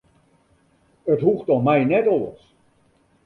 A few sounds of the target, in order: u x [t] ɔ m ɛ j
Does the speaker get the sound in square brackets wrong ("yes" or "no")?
no